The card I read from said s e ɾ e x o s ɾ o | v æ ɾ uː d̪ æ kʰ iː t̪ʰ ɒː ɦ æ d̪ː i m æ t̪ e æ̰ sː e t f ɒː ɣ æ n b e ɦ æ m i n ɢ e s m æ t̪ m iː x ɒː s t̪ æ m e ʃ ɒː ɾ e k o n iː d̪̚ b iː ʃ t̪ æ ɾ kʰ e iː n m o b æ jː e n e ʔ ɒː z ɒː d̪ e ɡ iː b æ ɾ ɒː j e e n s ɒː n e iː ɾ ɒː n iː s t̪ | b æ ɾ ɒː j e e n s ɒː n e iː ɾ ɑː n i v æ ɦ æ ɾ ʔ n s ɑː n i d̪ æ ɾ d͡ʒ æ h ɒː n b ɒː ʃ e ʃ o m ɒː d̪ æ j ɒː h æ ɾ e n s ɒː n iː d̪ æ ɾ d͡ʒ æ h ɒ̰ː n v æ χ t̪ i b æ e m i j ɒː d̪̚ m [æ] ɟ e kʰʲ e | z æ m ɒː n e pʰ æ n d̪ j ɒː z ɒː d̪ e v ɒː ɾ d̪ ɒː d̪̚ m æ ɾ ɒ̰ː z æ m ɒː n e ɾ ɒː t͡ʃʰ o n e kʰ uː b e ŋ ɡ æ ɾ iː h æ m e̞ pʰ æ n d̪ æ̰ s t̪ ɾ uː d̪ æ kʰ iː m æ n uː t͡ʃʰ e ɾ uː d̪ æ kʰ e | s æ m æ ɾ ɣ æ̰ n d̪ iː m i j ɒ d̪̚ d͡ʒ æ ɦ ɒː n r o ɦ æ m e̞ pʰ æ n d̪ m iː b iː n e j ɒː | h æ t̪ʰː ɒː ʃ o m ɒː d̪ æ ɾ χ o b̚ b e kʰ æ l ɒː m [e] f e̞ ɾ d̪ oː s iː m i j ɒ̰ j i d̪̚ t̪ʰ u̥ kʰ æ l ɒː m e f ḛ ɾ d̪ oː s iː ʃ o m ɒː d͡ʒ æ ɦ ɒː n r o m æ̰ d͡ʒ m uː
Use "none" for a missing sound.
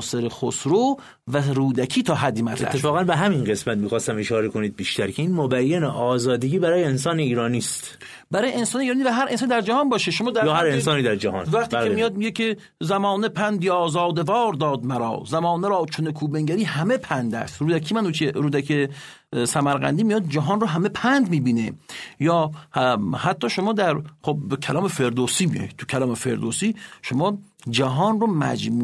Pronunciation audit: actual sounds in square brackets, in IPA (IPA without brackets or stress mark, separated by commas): i, e